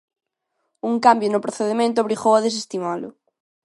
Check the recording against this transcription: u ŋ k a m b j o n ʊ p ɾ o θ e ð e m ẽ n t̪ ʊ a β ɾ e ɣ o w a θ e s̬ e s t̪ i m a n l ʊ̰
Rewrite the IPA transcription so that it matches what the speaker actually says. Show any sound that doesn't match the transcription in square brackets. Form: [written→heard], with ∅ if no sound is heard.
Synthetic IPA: u ŋ k a m b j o n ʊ p ɾ o θ e ð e m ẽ n t̪ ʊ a β ɾ [e→i] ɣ o w a [θ→ð] e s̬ e s t̪ i m a [n→∅] l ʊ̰

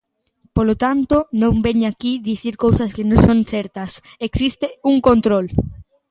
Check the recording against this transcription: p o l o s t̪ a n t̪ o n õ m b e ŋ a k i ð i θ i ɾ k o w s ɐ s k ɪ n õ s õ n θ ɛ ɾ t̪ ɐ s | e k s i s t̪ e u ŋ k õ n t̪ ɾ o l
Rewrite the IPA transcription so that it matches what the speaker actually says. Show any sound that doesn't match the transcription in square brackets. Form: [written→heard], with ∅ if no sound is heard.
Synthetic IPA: p o l o [s→∅] t̪ a n t̪ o n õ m b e [ŋ→ɲ] a k i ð i θ i ɾ k o w s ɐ s k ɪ n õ s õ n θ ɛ ɾ t̪ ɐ s | e k s i s t̪ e u ŋ k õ n t̪ ɾ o l

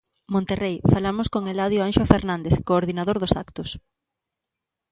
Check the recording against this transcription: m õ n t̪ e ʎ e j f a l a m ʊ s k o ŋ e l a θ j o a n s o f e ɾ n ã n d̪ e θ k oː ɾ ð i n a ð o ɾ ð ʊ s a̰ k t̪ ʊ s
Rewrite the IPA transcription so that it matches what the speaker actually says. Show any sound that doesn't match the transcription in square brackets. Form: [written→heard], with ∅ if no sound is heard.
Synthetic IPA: m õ n t̪ e [ʎ→r] e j f a l a m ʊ s k o ŋ e l a [θ→ð] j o a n [s→ʃ] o f e ɾ n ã n d̪ e θ k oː ɾ ð i n a ð o ɾ ð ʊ s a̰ k t̪ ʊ s

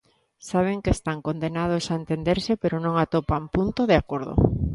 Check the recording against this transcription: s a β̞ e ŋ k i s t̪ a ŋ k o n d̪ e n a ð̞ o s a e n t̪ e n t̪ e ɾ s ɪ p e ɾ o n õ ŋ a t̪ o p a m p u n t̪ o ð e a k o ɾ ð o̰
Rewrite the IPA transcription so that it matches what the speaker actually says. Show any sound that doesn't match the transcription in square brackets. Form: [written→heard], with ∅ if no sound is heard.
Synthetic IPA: s a β̞ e ŋ k [i→e] s t̪ a ŋ k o n d̪ e n a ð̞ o s a e n t̪ e n [t̪→d̪] e ɾ s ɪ p e ɾ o n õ ŋ a t̪ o p a m p u n t̪ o ð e a k o ɾ ð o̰

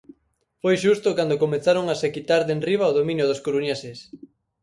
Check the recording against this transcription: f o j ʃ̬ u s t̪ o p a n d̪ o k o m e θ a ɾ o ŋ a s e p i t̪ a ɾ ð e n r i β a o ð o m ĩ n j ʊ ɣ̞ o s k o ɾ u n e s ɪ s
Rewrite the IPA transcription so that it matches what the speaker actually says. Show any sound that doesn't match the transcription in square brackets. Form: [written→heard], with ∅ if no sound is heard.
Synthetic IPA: f o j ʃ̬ u s t̪ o [p→k] a n d̪ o k o m e θ a ɾ o ŋ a s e [p→k] i t̪ a ɾ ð e n r i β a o ð o m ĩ n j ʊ [ɣ̞→ð̞] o s k o ɾ u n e s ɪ s

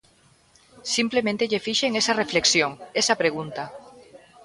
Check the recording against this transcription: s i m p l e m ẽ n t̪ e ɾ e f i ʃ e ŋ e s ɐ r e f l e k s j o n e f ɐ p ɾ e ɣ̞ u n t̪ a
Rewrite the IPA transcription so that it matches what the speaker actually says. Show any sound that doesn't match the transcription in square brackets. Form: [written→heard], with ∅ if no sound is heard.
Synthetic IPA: s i m p l e m ẽ n t̪ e [ɾ→ʎ] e f i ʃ e ŋ e s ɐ r e f l e k s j o [n→ŋ] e [f→s] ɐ p ɾ e ɣ̞ u n t̪ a

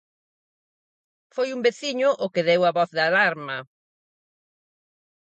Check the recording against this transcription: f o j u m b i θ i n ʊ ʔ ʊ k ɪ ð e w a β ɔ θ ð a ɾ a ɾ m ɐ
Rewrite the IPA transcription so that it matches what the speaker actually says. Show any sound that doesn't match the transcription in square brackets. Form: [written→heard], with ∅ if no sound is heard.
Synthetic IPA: f o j u m b [i→e] θ i [n→ɲ] ʊ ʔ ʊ k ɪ ð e w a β ɔ θ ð a [ɾ→l] a ɾ m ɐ

